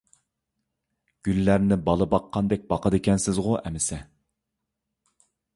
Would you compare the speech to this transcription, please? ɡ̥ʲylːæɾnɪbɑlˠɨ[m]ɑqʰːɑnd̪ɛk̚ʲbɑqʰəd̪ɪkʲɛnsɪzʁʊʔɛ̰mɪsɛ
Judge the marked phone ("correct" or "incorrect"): incorrect